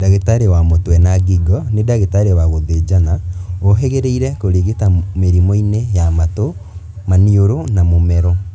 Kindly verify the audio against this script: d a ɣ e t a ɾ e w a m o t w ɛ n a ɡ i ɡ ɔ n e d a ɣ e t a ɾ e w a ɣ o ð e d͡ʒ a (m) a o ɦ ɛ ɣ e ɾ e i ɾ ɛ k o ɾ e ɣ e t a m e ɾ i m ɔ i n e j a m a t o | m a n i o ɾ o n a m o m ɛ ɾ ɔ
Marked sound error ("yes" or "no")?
yes